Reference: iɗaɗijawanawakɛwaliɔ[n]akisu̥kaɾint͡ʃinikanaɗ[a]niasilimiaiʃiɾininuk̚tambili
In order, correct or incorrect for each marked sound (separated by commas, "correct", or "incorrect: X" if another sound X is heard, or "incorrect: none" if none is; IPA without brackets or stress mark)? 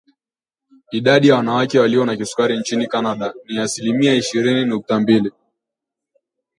correct, correct